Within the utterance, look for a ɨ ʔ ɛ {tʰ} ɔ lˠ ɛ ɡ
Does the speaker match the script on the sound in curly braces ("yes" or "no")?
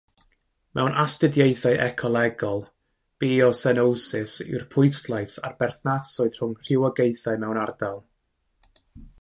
no